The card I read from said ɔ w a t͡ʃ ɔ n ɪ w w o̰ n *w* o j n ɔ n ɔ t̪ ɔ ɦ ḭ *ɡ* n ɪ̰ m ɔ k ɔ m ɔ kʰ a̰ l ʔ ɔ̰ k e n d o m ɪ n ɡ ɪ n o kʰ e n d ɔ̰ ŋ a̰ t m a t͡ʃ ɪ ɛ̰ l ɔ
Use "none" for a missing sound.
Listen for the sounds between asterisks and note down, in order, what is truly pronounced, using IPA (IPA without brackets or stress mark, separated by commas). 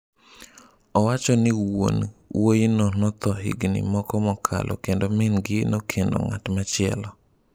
w, ɡ